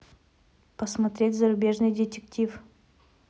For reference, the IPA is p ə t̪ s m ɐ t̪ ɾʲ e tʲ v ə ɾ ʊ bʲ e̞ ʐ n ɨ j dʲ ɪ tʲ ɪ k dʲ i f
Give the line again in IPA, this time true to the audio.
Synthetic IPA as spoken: p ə s m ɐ t̪ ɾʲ e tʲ z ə ɾ ʊ bʲ e̞ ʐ n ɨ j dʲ ɪ tʲ ɪ k tʲ i f